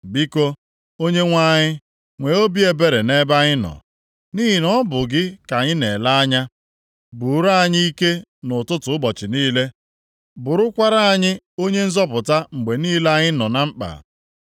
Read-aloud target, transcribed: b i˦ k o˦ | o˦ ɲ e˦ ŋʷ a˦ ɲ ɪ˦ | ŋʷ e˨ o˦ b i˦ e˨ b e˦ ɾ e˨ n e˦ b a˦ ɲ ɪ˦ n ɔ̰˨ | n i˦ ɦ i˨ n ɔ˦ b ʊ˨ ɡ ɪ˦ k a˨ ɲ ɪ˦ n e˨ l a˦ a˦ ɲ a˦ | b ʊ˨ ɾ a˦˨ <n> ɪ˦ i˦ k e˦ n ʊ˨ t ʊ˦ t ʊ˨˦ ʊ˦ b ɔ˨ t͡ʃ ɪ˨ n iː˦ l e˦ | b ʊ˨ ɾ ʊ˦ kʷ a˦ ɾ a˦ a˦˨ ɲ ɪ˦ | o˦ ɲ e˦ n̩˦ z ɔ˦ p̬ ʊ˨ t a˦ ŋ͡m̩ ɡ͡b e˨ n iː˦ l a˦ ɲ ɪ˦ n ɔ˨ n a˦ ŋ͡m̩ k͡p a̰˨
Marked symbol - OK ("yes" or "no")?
no